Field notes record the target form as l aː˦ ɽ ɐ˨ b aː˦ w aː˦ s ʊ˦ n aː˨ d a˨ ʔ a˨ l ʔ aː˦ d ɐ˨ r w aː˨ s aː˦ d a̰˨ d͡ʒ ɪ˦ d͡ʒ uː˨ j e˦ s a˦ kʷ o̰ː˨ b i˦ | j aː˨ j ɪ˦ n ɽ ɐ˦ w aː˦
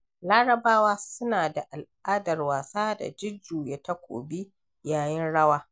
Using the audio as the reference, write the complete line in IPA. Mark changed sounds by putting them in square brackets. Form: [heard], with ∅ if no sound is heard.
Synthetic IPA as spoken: l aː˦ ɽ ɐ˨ b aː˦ w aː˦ s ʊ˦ n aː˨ d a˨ ʔ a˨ l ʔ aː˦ d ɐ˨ r w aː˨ s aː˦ d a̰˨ d͡ʒ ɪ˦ d͡ʒ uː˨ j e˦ [t] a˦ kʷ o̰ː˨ b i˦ | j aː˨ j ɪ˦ n ɽ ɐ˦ w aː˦